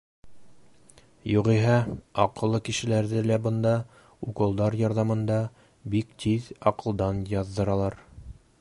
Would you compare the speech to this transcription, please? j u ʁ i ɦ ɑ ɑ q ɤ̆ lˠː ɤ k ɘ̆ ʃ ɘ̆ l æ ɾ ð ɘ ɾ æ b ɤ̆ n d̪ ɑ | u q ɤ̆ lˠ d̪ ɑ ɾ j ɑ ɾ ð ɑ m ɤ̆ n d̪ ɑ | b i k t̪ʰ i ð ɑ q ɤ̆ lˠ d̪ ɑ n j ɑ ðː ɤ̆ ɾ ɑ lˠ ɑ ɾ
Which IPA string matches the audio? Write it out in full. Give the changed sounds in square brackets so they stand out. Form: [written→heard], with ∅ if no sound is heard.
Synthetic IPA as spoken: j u ʁ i ɦ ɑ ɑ q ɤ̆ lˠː ɤ k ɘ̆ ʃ ɘ̆ l æ ɾ ð ɘ [ɾ→l] æ b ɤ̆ n d̪ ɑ | u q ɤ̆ lˠ d̪ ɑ ɾ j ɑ ɾ ð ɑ m ɤ̆ n d̪ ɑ | b i k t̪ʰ i ð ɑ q ɤ̆ lˠ d̪ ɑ n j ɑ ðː ɤ̆ ɾ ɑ lˠ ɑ ɾ